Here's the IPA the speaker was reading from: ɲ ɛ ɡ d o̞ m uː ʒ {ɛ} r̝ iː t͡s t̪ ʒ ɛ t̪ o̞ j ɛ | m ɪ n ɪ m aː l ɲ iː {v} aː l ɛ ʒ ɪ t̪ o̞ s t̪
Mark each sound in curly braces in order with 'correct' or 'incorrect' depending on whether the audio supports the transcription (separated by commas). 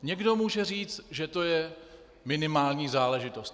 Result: correct, incorrect